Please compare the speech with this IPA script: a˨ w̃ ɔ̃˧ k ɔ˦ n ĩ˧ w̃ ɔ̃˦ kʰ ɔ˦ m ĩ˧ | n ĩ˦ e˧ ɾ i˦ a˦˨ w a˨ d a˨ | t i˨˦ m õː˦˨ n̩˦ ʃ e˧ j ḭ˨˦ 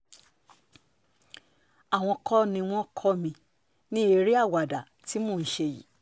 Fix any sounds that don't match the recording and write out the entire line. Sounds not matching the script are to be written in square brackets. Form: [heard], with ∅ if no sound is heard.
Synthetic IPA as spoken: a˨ w̃ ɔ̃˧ k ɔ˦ n ĩ˧ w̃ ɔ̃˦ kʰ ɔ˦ m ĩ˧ | n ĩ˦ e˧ ɾ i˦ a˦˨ w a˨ d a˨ | t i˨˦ m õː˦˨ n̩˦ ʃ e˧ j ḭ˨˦